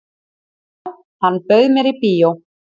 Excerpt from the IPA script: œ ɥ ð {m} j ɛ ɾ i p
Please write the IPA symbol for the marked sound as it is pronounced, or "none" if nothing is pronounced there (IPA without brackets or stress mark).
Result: m